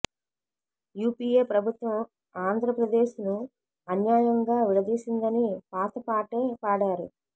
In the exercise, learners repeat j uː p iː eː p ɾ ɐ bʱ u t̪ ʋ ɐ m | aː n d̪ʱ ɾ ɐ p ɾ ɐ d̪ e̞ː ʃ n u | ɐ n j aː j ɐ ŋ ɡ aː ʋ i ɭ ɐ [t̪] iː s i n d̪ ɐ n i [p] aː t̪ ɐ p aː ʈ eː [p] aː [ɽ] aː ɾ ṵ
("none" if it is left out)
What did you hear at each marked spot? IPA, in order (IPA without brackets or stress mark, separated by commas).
d̪, p, p, ɽ